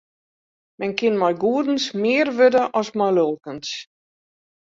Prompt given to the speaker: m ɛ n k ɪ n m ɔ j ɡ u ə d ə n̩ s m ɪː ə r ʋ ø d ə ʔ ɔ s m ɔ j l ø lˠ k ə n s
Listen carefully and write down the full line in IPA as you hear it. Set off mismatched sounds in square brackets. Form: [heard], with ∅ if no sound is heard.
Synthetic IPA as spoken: m ɛ n k ɪ n m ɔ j ɡ u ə d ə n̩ s m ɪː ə r ʋ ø d ə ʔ ɔ s m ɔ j l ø lˠ k ə n s